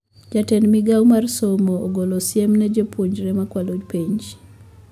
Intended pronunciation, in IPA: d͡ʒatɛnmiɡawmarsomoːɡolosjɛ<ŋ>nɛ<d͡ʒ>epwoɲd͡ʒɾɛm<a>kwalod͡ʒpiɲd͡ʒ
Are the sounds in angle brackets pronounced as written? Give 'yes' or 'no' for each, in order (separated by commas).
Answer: no, yes, yes